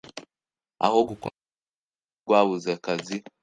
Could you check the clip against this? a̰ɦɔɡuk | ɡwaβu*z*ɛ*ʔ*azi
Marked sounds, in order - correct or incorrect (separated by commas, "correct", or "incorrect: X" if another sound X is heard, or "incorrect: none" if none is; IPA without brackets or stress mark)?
correct, incorrect: k